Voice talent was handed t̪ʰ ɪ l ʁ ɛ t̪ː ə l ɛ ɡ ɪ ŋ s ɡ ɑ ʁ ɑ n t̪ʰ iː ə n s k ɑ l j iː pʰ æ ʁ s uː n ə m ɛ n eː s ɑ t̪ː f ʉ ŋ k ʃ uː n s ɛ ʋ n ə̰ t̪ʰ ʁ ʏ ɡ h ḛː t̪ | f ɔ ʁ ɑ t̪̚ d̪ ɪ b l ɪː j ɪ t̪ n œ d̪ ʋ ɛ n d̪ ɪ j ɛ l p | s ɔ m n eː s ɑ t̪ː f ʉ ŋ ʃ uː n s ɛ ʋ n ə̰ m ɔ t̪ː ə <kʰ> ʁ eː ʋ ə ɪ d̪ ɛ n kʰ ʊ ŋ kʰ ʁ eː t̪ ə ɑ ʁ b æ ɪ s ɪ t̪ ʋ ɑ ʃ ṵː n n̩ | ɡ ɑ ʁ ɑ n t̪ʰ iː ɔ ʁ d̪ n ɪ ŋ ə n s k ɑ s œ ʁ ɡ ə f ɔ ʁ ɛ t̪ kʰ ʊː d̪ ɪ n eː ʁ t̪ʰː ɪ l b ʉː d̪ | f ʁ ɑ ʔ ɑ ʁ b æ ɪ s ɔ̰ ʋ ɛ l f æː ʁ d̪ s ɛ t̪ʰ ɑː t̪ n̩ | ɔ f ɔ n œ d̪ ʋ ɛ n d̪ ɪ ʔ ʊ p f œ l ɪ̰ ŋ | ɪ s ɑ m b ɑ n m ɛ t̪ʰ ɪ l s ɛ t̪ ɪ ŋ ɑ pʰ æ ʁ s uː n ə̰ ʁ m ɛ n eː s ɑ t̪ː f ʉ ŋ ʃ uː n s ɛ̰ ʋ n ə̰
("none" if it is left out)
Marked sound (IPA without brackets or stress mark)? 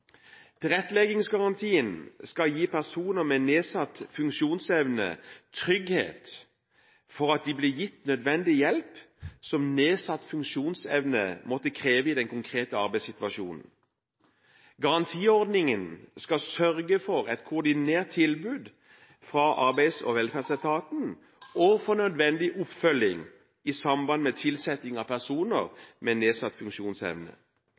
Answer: kʰ